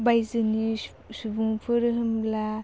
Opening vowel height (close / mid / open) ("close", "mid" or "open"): open